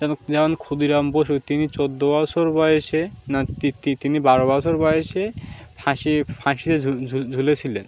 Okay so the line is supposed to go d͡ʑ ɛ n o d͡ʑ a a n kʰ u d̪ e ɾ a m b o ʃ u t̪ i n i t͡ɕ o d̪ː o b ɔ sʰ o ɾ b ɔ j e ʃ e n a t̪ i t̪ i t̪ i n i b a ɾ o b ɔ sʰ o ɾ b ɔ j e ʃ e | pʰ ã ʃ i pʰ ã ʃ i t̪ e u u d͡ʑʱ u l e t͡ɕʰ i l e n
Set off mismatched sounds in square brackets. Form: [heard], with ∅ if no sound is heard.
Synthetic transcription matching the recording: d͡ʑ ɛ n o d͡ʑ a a n kʰ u d̪ [i] ɾ a m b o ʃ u t̪ i n i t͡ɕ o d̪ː o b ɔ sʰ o ɾ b ɔ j e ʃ e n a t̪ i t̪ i t̪ i n i b a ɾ o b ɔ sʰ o ɾ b ɔ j e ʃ e | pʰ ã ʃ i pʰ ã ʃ i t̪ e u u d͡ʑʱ u l e t͡ɕʰ i l e n

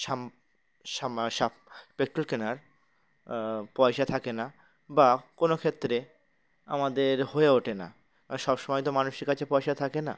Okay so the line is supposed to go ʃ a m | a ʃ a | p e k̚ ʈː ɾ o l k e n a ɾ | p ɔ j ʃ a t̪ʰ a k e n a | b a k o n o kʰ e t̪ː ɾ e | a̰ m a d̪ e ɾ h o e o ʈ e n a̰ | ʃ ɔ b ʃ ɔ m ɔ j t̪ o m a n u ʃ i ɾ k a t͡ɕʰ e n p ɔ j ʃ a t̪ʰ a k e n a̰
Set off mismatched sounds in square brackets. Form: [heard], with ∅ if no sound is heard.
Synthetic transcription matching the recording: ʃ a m | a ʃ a | p e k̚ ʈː ɾ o l k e n a ɾ | p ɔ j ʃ a t̪ʰ a k e n a | b a k o n o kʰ e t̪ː ɾ e | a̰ m a d̪ e ɾ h o e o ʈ e n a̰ | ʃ ɔ b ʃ ɔ m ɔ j t̪ o m a n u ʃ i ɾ k a t͡ɕʰ e [∅] p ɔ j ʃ a t̪ʰ a k e n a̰

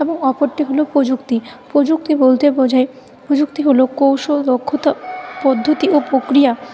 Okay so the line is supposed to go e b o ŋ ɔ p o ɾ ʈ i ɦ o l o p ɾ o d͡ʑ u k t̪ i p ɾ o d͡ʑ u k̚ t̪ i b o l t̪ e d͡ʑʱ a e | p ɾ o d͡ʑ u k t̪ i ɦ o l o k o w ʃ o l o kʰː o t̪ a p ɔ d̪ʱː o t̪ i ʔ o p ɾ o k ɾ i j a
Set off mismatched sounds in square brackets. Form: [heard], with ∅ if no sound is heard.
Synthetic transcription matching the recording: e b o ŋ ɔ p o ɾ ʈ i ɦ o l o p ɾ o d͡ʑ u k t̪ i p ɾ o d͡ʑ u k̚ t̪ i b o l t̪ e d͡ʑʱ a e | p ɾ o d͡ʑ u k t̪ i ɦ o l o k o w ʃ o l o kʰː o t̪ a p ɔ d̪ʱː o t̪ i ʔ o p ɾ o k ɾ i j a

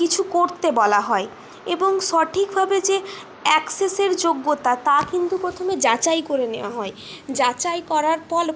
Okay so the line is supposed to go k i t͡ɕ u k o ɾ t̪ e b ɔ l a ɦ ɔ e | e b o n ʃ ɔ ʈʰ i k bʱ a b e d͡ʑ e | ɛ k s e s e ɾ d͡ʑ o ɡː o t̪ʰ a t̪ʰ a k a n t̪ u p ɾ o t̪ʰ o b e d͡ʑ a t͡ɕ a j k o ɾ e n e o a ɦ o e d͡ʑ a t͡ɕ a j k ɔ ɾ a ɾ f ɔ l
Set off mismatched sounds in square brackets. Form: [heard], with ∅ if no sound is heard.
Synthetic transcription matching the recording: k i [t͡ɕʰ] u k o ɾ t̪ e b ɔ l a ɦ ɔ e | e b o [ŋ] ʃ ɔ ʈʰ i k bʱ a b e d͡ʑ e | ɛ k s e s e ɾ d͡ʑ o ɡː o [t̪] a [t̪] a k [i] n t̪ u p ɾ o t̪ʰ o [m] e d͡ʑ a t͡ɕ a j k o ɾ e n e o a ɦ [ɔ] e d͡ʑ a t͡ɕ a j k ɔ ɾ a ɾ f ɔ l

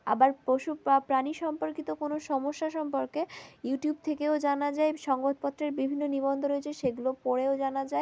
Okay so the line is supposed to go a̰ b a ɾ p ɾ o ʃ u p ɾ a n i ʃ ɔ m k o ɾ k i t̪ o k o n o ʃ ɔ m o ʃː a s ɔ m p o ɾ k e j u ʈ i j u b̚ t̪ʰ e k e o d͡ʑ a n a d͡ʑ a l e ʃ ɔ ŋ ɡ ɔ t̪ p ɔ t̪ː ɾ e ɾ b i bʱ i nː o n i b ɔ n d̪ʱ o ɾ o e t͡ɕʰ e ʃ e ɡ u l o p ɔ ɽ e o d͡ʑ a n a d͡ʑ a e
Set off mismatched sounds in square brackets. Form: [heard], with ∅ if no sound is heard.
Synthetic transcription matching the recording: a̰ b a ɾ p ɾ o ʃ u p ɾ a n i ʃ ɔ m [p] o ɾ k i t̪ o k o n o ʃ ɔ m o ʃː a [ʃ] ɔ m p o ɾ k e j u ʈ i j u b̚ t̪ʰ e k e o d͡ʑ a n a d͡ʑ a [∅] e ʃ ɔ ŋ ɡ [o] t̪ p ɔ t̪ː ɾ e ɾ b i bʱ i nː o n i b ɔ n d̪ʱ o ɾ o e t͡ɕʰ e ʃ e ɡ u l o p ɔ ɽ e o d͡ʑ a n a d͡ʑ a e

